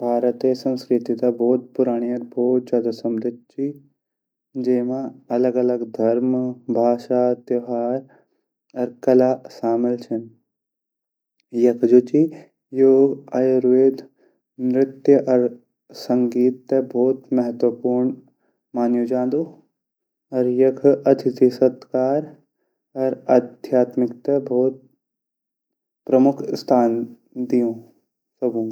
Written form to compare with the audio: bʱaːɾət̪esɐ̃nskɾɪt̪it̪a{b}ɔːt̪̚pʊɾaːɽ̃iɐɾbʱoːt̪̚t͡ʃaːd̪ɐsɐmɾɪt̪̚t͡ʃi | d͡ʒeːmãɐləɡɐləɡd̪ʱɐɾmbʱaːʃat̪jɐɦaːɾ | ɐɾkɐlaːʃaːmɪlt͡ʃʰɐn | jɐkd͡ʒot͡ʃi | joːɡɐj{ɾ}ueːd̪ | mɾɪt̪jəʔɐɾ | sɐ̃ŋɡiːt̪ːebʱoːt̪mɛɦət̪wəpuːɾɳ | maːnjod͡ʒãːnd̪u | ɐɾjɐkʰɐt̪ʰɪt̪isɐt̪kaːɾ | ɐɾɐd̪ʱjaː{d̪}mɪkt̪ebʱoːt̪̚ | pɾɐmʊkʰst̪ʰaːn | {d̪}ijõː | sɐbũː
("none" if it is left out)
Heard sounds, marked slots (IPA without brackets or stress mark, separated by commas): b, ɾ, t̪, d̪